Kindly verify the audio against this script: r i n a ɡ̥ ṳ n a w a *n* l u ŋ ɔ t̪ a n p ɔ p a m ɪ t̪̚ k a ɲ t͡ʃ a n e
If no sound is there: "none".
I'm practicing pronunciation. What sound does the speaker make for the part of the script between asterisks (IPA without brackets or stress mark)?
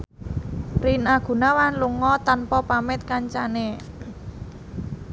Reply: n